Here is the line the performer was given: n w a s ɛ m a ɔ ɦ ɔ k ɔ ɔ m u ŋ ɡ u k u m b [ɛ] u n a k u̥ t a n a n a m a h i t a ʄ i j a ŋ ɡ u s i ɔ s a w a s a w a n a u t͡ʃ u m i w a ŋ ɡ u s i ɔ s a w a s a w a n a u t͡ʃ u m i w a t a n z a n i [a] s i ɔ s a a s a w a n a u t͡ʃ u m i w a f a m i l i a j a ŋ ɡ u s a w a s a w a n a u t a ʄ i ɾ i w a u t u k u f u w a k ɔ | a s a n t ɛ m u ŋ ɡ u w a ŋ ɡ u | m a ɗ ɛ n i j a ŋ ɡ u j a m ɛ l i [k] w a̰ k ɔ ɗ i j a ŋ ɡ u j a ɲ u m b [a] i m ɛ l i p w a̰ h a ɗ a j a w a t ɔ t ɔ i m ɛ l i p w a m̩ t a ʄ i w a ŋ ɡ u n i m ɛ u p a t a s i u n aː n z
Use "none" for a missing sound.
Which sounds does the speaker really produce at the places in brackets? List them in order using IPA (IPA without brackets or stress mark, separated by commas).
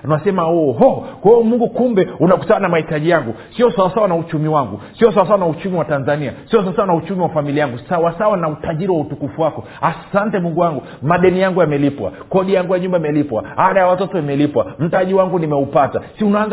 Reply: ɛ, a, p, a